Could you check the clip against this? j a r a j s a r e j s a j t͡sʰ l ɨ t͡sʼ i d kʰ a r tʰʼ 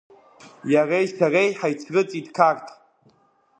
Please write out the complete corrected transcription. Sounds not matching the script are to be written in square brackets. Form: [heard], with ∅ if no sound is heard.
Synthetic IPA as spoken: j a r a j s a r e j [ħ] a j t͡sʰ [r] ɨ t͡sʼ i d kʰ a r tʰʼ